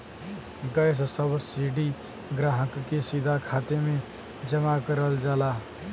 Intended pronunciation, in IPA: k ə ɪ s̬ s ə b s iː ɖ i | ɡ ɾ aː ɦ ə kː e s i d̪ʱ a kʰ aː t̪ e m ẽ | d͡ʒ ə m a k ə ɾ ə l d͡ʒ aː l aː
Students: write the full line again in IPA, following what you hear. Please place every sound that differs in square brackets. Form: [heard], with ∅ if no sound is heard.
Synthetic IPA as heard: [ɡ] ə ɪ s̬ s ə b s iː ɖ i | ɡ ɾ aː ɦ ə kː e s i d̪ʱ a kʰ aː t̪ e m ẽ | d͡ʒ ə m a k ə ɾ ə l d͡ʒ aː l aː